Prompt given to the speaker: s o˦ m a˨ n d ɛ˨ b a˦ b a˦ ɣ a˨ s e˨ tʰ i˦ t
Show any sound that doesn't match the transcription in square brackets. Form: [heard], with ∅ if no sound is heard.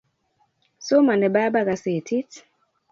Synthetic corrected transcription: s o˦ m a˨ n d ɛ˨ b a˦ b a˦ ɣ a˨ s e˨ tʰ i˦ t